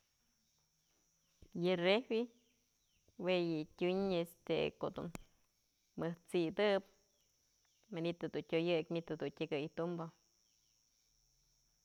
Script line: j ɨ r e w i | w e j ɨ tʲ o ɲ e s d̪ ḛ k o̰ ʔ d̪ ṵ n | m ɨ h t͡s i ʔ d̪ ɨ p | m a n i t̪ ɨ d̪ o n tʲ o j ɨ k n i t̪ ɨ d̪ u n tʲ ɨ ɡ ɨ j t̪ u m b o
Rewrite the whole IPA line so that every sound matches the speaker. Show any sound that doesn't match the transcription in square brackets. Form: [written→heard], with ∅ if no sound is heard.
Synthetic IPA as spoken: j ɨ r e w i | w e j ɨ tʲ [o→u] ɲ e s [d̪→t̪] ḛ k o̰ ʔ d̪ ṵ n | m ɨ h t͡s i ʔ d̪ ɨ p | m a n i t̪ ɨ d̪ [o→u] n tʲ o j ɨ k [n→m] i t̪ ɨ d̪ u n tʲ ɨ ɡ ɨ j t̪ u m b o